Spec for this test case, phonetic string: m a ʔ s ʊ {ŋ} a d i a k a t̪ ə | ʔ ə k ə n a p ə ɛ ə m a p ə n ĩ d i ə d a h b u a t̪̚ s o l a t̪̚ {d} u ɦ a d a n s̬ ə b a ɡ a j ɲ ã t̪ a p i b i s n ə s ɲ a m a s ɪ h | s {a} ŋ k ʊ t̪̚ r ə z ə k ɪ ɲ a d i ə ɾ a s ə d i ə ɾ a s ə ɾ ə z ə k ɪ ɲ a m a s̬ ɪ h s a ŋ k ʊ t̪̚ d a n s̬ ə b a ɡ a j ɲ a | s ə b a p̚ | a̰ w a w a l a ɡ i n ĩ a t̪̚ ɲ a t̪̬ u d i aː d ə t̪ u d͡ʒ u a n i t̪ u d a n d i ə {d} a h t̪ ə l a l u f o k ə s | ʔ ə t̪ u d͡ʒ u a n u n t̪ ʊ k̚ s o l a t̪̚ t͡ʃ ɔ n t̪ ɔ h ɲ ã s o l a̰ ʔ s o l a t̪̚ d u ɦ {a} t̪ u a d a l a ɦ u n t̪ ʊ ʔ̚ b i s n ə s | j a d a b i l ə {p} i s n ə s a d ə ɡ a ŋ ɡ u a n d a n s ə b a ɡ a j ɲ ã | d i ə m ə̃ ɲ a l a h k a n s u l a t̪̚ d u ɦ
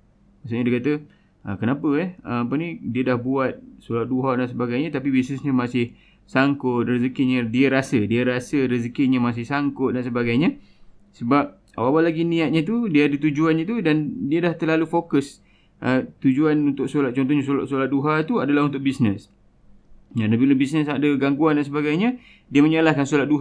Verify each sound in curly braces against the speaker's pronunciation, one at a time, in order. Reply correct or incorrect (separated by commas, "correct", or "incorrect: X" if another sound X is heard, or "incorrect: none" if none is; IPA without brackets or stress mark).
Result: incorrect: ɲ, correct, correct, correct, correct, incorrect: b